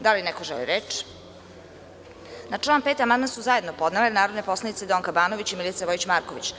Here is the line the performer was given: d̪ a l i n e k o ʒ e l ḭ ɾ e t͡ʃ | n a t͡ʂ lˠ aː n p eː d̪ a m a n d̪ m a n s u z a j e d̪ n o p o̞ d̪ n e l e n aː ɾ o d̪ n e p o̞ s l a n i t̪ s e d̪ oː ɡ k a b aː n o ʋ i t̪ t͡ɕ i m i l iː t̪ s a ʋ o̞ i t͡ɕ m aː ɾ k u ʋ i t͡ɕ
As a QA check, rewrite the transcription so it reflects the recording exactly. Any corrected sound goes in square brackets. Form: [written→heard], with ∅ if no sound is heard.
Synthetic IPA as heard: d̪ a l i n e k o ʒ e l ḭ ɾ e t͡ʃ | n a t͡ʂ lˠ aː n p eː [d̪→t̪] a m a n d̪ m a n s u z a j e d̪ n o p o̞ d̪ n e l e n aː ɾ o d̪ n e p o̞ s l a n i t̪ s e d̪ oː [ɡ→ŋ] k a b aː n o ʋ i [t̪→∅] t͡ɕ i m i l [iː→i] t̪ s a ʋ o̞ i t͡ɕ m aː ɾ k [u→o] ʋ i t͡ɕ